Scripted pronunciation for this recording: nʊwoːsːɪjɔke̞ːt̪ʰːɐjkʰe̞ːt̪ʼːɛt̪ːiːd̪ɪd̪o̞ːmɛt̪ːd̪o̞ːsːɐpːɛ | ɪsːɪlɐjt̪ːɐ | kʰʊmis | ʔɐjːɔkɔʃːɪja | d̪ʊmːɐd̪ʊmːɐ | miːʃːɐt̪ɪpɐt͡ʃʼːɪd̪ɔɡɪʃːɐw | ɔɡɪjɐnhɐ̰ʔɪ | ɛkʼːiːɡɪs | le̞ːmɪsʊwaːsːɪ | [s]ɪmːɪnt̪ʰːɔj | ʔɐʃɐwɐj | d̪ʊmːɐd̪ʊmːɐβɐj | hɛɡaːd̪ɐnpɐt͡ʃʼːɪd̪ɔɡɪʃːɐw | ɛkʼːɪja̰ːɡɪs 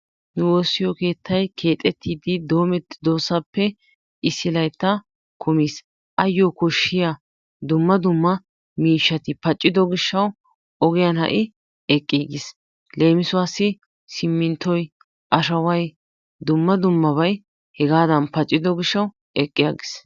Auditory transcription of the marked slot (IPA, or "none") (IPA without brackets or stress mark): s